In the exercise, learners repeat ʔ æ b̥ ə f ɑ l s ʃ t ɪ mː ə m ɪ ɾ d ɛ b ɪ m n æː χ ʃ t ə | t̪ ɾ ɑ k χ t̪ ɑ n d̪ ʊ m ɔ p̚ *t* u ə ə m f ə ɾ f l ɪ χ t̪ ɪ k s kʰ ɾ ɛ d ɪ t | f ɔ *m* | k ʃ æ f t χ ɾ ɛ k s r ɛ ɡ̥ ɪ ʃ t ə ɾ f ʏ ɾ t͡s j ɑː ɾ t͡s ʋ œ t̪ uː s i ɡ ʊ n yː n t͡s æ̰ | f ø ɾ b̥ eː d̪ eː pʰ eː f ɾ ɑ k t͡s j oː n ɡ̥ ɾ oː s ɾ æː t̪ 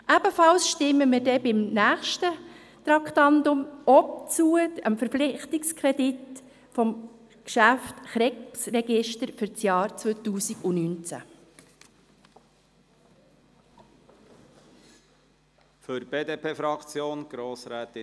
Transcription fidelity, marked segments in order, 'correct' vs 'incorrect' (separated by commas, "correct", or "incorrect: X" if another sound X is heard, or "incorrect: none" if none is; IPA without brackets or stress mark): incorrect: t͡s, correct